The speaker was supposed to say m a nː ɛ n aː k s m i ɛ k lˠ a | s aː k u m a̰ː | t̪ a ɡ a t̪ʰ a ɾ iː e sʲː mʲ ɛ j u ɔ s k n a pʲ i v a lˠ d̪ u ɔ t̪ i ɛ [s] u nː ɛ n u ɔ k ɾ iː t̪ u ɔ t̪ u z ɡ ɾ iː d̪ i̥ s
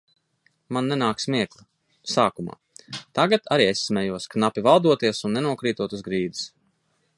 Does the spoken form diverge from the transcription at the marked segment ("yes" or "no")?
no